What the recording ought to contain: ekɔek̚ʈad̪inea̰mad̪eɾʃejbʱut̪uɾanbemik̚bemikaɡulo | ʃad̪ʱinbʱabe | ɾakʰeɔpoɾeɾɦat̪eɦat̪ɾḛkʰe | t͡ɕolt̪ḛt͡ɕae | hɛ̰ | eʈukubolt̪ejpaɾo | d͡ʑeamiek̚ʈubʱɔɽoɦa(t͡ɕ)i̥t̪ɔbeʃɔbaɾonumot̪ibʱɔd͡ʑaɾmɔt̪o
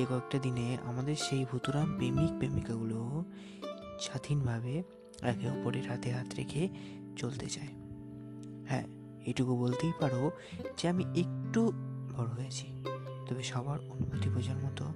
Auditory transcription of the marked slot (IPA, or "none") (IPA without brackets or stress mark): t͡ɕʰ